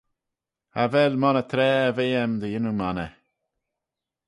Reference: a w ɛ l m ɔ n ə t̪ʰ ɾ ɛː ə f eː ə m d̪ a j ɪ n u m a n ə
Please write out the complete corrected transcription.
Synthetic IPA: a v ɛ l m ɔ n ə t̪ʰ ɾ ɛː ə v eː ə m d̪ ə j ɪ n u m a n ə